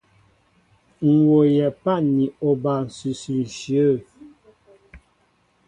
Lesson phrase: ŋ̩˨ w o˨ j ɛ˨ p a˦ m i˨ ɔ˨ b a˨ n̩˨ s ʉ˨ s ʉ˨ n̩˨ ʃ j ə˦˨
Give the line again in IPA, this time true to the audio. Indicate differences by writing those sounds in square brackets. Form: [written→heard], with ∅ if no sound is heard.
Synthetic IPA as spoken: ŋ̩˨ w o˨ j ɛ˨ p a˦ [m→n] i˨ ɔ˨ b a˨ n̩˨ s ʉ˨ s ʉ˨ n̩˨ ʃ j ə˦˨